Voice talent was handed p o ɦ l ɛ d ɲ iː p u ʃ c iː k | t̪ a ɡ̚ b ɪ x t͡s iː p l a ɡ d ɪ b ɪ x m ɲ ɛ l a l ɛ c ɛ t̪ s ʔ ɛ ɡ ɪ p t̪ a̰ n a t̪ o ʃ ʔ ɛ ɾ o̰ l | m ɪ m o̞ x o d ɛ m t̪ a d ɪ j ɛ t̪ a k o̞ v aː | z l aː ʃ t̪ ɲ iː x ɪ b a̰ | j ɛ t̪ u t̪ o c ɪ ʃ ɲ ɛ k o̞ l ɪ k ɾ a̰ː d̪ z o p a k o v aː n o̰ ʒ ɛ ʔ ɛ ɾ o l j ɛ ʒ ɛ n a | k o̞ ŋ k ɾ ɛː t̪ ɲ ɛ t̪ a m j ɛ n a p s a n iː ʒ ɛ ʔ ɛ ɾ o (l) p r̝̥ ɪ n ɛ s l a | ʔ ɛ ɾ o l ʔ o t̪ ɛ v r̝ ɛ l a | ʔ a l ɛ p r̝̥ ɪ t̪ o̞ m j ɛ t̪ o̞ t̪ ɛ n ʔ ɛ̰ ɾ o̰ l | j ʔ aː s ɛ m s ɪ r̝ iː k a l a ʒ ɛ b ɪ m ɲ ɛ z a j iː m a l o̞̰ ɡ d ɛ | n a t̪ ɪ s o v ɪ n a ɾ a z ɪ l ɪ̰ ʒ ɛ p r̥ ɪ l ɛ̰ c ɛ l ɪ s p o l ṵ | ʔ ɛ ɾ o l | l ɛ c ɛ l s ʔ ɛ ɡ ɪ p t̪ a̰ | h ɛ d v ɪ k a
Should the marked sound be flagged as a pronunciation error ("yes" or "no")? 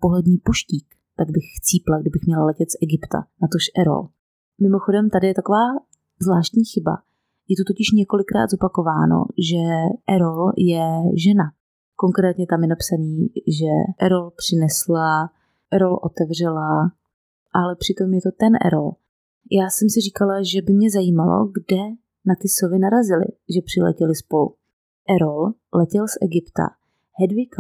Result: no